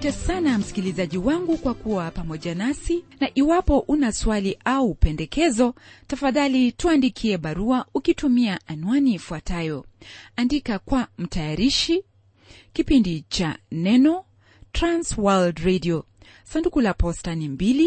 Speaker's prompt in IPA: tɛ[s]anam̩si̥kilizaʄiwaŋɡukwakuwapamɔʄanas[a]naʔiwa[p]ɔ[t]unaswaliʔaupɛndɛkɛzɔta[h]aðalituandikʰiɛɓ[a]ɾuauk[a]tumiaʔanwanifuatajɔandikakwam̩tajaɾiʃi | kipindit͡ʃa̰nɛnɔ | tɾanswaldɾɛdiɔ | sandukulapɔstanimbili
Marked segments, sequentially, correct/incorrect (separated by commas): correct, incorrect, correct, incorrect, incorrect, correct, incorrect